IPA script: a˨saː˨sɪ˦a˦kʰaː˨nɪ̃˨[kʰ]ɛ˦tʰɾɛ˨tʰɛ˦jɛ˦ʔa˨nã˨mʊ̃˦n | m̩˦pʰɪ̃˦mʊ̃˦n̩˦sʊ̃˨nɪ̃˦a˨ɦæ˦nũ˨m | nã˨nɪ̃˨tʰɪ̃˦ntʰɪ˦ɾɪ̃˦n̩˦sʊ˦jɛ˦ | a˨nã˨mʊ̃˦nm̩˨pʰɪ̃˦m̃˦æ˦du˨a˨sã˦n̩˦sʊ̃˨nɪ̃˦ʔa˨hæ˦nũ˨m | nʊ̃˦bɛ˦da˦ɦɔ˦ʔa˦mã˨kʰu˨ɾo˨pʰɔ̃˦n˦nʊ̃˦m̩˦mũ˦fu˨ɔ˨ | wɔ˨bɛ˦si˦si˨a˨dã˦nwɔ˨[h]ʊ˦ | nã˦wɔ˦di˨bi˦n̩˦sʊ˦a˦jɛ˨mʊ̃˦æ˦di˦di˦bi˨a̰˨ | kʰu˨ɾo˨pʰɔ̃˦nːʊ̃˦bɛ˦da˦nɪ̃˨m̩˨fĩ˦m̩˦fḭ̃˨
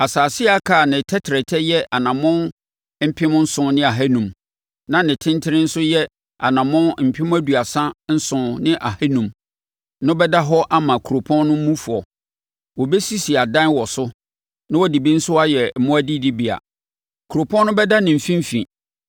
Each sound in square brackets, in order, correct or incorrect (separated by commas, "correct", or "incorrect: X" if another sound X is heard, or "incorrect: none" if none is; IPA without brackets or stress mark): incorrect: tʰ, incorrect: s